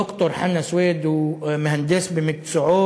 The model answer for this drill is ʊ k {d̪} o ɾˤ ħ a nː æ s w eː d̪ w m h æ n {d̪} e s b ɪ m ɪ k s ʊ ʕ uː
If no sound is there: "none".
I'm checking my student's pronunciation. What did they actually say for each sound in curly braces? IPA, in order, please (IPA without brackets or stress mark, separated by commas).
t̪, d̪